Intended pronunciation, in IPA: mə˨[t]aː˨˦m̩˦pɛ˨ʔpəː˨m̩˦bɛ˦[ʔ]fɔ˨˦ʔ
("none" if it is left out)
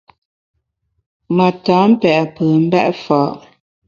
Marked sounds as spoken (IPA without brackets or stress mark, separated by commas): t, ʔ